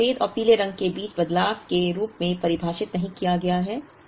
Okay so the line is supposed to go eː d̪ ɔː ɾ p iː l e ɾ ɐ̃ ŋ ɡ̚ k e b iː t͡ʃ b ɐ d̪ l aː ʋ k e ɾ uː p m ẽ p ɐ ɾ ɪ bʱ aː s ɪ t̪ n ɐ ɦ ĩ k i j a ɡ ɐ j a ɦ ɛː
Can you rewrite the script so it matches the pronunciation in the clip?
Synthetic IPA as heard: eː d̪ ɔː ɾ p iː l e ɾ ɐ̃ ŋ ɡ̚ k e b iː t͡ʃ b ɐ d̪ l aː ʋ k e ɾ uː p m ẽ p ɐ ɾ ɪ bʱ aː ʃ ɪ t̪ n ɐ ɦ ĩ k i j a ɡ ɐ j a ɦ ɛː